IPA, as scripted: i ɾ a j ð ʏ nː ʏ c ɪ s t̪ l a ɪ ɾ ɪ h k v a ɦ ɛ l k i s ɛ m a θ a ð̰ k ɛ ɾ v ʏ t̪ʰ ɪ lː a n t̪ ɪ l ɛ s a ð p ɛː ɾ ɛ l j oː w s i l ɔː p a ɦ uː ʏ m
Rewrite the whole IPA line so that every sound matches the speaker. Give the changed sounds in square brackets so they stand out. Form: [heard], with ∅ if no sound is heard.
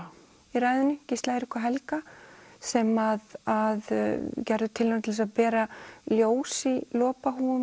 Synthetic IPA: i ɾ a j ð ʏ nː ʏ c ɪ s t̪ l a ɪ ɾ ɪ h k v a ɦ ɛ l k [a] s ɛ m a [ð] a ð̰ [c] ɛ ɾ [ð] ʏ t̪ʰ ɪ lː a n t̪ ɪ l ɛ s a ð p ɛː ɾ [a] l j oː w s i l ɔː p a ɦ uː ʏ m

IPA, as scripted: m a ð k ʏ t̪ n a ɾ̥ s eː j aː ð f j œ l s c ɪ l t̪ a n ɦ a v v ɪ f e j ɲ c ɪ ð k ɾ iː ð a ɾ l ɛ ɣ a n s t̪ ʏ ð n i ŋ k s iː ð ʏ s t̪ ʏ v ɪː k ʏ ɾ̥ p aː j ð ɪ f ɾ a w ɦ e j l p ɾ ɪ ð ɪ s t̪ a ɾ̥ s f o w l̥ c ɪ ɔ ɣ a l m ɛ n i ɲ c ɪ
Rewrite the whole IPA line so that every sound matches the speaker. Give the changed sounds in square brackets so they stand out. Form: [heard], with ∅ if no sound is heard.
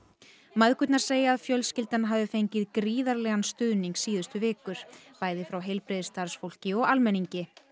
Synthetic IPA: m a ð k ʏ t̪ n a ɾ̥ s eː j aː ð f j œ l s c ɪ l t̪ a n ɦ a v [ð] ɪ f e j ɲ c ɪ ð k ɾ iː ð a ɾ l ɛ ɣ a n s t̪ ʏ ð n i ŋ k s iː ð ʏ s t̪ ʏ v ɪː k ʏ ɾ̥ p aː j ð ɪ f ɾ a w ɦ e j l p ɾ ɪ ð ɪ s t̪ a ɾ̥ s f o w l̥ c ɪ ɔ ɣ a l m ɛ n i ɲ c ɪ

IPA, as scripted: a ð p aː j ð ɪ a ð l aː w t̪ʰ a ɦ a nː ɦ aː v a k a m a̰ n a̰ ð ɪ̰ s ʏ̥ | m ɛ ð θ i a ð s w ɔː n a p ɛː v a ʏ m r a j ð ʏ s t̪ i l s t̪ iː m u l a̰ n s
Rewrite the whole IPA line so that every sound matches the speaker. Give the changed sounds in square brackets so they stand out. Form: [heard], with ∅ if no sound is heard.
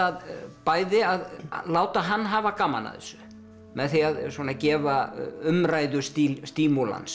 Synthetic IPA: a ð p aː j ð ɪ a ð l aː w [t̪] a ɦ a nː ɦ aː v a k a m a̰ n a̰ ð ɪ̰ s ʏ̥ | m ɛ ð θ i a ð s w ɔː n a [c] ɛː v a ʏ m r a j ð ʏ s t̪ i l s t̪ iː m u l a̰ n s

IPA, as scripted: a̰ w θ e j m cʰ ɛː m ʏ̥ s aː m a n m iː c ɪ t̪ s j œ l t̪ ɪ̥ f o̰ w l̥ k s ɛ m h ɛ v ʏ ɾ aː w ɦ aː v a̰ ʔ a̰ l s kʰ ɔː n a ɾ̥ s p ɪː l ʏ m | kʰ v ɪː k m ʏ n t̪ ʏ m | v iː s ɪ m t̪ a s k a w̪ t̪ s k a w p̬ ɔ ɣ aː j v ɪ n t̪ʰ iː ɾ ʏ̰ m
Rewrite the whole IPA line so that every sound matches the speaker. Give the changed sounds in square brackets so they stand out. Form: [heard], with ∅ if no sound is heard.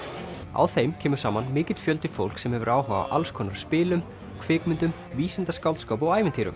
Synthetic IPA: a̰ w θ e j m cʰ ɛː m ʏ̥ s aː m a n m [ɪː] c ɪ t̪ [f] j œ l t̪ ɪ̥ f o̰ w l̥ k s ɛ m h ɛ v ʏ ɾ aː w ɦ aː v a̰ ʔ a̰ l s kʰ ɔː n a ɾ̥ s p ɪː l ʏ m | kʰ v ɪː k m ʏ n t̪ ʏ m | v iː s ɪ [n] t̪ a s k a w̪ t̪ s k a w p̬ ɔ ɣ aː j v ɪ n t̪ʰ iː ɾ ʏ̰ m

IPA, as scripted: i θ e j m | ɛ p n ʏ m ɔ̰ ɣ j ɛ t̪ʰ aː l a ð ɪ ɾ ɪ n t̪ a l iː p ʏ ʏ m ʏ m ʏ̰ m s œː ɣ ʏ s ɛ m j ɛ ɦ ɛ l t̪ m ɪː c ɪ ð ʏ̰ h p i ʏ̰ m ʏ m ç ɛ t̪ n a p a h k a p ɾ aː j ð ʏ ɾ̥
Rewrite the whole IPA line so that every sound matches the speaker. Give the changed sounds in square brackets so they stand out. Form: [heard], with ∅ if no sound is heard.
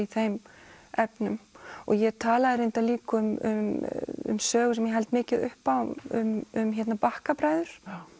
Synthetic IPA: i θ e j m | ɛ p n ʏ m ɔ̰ ɣ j ɛ t̪ʰ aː l a ð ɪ ɾ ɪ n t̪ a l iː [k] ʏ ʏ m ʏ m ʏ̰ m s œː ɣ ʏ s ɛ m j ɛ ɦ ɛ l t̪ m ɪː c ɪ ð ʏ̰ h p [a] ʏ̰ m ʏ m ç ɛ t̪ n a p a h k a p ɾ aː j ð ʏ ɾ̥

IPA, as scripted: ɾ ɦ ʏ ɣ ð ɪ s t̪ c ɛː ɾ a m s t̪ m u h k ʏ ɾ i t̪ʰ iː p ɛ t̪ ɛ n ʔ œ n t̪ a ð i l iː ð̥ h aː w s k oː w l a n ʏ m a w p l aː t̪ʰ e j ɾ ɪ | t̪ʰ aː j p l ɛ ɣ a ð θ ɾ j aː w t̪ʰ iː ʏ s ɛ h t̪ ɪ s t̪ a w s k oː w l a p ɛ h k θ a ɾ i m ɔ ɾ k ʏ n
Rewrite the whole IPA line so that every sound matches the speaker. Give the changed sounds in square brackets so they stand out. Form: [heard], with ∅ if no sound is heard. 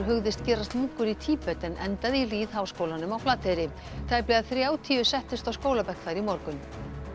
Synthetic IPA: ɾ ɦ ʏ ɣ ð ɪ s t̪ c ɛː ɾ a [∅] s t̪ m u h k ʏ ɾ i t̪ʰ iː p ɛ t̪ ɛ n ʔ [ɛ] n t̪ a ð i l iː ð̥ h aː w s k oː w l a n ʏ m a w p l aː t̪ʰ e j ɾ ɪ | t̪ʰ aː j p l ɛ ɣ a ð θ ɾ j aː w t̪ʰ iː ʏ s ɛ h t̪ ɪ s t̪ a w s k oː w l a p ɛ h k θ a ɾ i m ɔ ɾ k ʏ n

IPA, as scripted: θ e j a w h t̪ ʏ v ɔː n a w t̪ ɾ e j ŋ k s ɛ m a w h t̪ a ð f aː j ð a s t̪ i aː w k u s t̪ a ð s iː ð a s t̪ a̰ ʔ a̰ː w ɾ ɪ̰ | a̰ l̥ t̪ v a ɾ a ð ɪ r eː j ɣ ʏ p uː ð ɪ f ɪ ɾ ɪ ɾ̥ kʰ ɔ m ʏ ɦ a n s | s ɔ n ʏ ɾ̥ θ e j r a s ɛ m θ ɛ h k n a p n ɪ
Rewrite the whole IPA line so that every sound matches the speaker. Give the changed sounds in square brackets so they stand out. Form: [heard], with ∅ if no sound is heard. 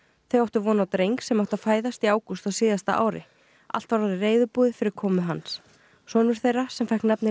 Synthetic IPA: θ e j a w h t̪ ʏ v ɔː n a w t̪ ɾ e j ŋ k s ɛ m a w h t̪ a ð f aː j ð a s t̪ i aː w k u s t̪ a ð s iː ð a s t̪ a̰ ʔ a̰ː w ɾ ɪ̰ | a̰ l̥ t̪ v a ɾ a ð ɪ r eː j [ð] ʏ p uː ð ɪ f ɪ ɾ ɪ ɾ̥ kʰ [ɔː] m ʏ ɦ a n s | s ɔ n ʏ ɾ̥ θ e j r a s ɛ m [f] ɛ h k n a p n ɪ

